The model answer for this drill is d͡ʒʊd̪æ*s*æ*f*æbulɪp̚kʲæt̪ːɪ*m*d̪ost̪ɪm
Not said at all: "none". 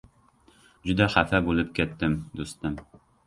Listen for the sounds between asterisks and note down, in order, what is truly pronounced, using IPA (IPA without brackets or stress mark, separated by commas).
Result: χ, f, m